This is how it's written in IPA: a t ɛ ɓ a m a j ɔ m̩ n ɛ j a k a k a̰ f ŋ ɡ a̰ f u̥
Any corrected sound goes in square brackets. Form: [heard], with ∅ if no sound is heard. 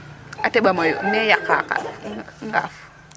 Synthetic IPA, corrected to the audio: a t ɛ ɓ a m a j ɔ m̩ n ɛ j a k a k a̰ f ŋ ɡ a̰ f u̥